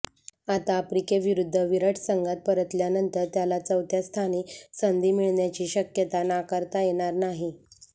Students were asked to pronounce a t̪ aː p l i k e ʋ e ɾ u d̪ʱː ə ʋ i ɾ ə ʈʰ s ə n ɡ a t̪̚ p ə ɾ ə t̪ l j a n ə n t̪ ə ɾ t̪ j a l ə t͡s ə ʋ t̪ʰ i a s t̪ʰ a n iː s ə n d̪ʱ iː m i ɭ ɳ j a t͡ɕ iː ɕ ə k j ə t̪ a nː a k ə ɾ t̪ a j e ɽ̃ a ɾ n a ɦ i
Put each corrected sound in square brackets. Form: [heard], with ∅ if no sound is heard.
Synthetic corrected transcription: a t̪ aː p [ɾ] i k e ʋ [i] ɾ u d̪ʱː ə ʋ i ɾ ə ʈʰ s ə [ŋ] ɡ a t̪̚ p ə ɾ ə t̪ l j a n ə n t̪ ə ɾ t̪ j a l [a] t͡s ə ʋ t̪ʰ [j] a s t̪ʰ a n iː s ə n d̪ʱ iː m i ɭ ɳ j a t͡ɕ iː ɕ ə k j ə t̪ a [n] a k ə ɾ t̪ a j e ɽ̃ a ɾ n a ɦ i